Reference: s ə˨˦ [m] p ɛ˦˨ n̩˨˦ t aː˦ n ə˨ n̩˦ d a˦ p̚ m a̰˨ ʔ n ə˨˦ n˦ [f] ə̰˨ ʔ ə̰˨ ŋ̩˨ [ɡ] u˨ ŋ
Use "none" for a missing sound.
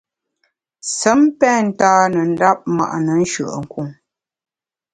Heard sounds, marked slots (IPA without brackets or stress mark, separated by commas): m, ʃ, k